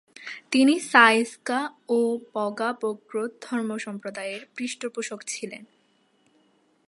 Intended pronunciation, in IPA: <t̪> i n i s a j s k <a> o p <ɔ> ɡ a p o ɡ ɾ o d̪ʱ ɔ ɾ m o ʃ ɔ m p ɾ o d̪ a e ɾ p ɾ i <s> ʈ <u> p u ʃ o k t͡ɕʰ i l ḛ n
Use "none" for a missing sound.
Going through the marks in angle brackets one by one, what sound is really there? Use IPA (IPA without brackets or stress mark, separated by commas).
t̪, a, ɔ, ʃ, o